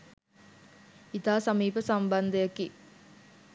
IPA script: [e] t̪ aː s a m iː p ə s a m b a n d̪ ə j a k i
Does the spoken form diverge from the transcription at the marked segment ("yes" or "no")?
yes